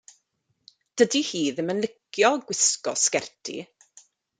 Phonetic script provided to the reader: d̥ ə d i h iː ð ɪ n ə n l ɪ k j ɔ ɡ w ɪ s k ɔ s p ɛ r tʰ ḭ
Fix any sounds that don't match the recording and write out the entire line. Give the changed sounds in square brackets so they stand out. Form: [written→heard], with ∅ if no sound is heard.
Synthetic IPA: d̥ ə d i h iː ð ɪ [n→m] ə n l ɪ k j ɔ ɡ w ɪ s k ɔ s [p→k] ɛ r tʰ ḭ